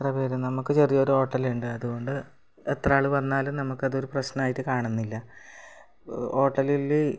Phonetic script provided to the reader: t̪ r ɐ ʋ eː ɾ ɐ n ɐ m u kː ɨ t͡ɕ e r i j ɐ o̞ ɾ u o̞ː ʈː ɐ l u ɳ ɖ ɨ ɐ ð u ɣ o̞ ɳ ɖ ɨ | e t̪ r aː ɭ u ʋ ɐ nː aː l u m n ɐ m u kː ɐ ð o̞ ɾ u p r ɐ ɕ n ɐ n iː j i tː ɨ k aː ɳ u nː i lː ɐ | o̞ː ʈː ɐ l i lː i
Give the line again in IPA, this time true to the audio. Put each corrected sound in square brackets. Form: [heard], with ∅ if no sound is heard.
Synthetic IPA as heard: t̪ r ɐ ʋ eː ɾ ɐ n ɐ m u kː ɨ t͡ɕ e r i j ɐ o̞ ɾ u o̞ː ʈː ɐ l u ɳ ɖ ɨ ɐ ð u ɣ o̞ ɳ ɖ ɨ | e t̪ r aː ɭ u ʋ ɐ nː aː l u m n ɐ m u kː ɐ ð o̞ ɾ u p r ɐ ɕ n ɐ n [aː] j i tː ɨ k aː ɳ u nː i lː ɐ | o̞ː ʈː ɐ l i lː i

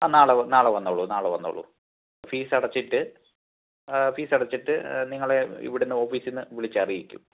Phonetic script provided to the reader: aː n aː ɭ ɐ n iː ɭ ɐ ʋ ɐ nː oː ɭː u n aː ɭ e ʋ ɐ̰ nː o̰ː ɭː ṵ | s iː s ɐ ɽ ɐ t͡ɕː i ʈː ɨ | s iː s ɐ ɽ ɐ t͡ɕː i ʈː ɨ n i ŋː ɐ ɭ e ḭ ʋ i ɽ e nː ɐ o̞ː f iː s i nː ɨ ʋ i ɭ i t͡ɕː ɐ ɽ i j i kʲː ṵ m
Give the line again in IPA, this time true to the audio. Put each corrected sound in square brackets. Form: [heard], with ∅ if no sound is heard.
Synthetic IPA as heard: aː n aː ɭ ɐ n [aː] ɭ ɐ ʋ ɐ nː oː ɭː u n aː ɭ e ʋ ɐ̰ nː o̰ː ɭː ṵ | [f] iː s ɐ ɽ ɐ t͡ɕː i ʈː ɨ | [f] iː s ɐ ɽ ɐ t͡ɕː i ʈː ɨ n i ŋː ɐ ɭ e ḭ ʋ i ɽ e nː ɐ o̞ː f iː s i nː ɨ ʋ i ɭ i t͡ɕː ɐ [r] i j i kʲː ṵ m

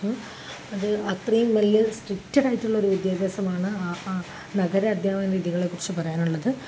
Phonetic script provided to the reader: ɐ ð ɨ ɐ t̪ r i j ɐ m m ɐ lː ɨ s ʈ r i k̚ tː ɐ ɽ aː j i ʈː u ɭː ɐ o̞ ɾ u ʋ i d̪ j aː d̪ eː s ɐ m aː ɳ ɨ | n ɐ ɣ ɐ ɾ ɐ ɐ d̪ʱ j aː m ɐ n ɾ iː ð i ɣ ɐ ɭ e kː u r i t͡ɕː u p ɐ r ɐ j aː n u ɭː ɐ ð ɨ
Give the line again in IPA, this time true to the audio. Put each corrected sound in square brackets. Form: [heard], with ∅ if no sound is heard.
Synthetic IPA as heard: ɐ ð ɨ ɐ t̪ r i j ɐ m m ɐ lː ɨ s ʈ r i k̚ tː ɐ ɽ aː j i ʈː u ɭː ɐ o̞ ɾ u ʋ i d̪ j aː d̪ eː s ɐ m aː ɳ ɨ | n ɐ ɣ ɐ ɾ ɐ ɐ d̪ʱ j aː m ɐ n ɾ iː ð i ɣ ɐ ɭ e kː u r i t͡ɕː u p ɐ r ɐ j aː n u ɭː ɐ ð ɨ

